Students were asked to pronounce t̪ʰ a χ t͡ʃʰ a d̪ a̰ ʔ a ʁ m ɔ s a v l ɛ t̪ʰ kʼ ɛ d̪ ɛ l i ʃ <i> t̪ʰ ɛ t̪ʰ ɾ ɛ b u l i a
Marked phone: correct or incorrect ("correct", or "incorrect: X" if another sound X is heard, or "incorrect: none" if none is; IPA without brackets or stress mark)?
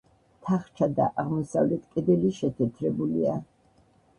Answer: incorrect: ɛ